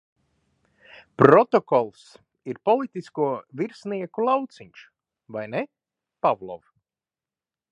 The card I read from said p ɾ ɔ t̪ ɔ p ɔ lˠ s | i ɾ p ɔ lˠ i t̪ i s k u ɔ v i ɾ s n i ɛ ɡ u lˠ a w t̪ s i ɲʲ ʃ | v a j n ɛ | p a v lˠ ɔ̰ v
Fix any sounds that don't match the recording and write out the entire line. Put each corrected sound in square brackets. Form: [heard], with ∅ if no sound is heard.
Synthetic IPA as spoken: p ɾ ɔ t̪ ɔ [k] ɔ lˠ s | i ɾ p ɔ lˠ i t̪ i s k u ɔ v i ɾ s n i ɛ [k] u lˠ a w t̪ s i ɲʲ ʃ | v a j n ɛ | p a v lˠ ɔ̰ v